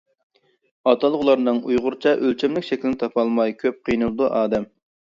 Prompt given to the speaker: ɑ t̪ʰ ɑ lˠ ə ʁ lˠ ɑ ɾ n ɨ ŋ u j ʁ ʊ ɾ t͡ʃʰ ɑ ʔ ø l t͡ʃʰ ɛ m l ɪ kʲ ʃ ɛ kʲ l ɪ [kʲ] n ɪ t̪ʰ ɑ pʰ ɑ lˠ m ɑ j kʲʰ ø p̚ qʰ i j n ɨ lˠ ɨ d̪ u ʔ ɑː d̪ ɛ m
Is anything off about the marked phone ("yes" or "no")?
yes